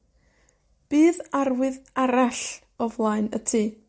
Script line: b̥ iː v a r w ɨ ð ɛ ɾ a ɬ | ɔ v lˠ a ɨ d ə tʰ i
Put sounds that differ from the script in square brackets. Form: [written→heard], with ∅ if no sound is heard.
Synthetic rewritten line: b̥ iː [v→ð] a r w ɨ ð [ɛ→a] ɾ a ɬ | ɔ v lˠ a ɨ [d→n] ə tʰ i